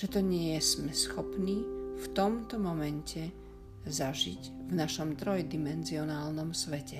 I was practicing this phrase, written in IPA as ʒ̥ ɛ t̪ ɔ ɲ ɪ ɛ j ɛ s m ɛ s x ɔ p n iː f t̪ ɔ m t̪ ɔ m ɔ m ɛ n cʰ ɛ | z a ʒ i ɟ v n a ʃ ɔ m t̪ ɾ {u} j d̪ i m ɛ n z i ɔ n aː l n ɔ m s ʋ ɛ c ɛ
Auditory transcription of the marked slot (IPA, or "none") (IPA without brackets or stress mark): ɔ